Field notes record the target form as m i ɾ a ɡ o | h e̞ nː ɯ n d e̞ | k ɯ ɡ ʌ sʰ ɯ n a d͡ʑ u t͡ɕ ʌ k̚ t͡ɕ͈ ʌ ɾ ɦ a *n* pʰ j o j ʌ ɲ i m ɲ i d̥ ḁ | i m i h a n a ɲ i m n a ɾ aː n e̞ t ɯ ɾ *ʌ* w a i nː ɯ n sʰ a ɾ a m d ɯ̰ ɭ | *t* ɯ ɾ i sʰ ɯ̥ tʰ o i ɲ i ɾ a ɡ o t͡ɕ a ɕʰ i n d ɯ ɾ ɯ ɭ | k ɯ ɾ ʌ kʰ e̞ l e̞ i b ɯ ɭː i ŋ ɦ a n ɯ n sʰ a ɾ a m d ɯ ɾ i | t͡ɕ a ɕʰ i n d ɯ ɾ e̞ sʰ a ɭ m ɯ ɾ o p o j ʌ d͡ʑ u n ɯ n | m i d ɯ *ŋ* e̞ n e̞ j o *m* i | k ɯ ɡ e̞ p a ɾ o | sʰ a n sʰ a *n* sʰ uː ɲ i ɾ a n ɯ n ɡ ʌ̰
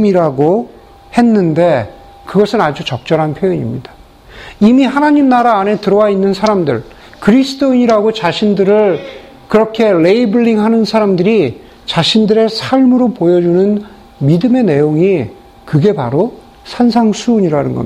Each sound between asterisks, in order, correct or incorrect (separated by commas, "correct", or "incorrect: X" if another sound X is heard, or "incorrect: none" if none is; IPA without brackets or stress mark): correct, correct, incorrect: k, incorrect: m, incorrect: ŋ, incorrect: ŋ